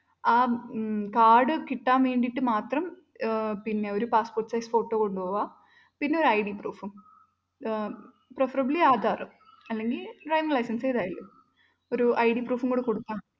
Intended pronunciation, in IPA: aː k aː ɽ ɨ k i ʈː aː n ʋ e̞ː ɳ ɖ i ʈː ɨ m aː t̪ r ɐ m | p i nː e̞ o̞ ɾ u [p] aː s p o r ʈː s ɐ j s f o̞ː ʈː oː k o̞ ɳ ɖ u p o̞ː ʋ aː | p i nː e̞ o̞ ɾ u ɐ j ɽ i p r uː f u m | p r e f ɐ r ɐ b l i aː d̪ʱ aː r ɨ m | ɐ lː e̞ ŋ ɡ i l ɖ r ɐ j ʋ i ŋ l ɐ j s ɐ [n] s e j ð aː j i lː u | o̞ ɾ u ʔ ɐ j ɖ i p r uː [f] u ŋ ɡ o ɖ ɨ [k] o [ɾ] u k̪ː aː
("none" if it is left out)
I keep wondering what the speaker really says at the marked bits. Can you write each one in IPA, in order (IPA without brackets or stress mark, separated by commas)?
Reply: p, n, f, k, ɽ